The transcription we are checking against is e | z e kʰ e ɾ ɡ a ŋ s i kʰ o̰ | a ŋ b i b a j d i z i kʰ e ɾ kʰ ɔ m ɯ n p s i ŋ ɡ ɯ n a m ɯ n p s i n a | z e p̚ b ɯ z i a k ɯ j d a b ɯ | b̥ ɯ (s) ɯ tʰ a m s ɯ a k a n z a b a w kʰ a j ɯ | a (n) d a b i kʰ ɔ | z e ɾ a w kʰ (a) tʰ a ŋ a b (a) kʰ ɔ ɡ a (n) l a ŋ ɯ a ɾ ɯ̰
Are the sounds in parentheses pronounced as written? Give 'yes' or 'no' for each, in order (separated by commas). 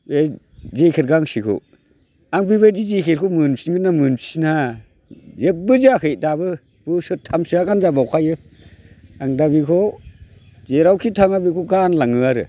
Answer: yes, no, no, no, yes